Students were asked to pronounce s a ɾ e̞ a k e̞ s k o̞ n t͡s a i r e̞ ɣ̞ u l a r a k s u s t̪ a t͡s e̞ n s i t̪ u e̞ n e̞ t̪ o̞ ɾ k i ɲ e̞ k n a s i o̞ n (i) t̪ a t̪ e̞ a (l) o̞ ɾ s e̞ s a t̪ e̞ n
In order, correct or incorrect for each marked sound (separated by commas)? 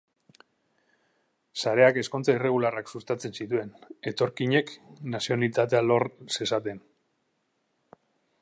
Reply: correct, correct